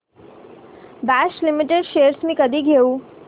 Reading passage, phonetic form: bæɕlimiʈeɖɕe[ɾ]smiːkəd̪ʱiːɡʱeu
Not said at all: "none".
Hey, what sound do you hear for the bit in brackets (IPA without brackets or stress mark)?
ɾ